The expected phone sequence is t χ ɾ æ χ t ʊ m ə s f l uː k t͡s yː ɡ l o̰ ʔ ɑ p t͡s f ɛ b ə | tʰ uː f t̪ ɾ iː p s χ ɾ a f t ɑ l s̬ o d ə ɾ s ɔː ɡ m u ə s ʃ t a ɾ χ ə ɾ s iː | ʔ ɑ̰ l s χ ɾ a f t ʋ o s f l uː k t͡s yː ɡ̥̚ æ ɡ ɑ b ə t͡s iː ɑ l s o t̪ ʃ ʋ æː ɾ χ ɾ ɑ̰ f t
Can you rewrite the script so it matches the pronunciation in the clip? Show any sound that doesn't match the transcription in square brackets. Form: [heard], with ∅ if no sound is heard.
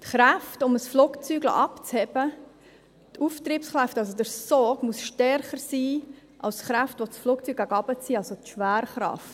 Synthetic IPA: t χ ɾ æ [f] t ʊ m ə s f l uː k t͡s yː ɡ l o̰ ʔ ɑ p t͡s [h] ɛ b ə | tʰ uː f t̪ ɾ iː p s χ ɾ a f t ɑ l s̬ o d ə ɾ s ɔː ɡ m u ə s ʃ t [ɛ] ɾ χ ə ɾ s iː | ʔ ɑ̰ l s χ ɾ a f t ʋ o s f l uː k t͡s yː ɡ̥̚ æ ɡ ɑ b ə t͡s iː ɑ l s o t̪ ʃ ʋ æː ɾ χ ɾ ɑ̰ f t

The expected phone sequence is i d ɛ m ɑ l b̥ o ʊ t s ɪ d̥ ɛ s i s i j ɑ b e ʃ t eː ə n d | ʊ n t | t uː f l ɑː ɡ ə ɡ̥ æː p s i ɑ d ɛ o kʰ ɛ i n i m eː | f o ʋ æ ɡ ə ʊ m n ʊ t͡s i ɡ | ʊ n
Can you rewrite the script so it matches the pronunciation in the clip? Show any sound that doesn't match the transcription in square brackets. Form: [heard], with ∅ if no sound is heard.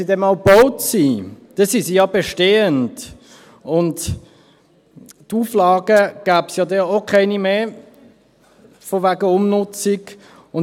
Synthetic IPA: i d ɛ m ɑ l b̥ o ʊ t s [i] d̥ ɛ s i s i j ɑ b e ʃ t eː ə n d | ʊ n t | t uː f l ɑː ɡ ə ɡ̥ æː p s [j] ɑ d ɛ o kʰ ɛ [ɪ] n i m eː | f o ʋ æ ɡ ə ʊ m n ʊ t͡s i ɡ | ʊ n

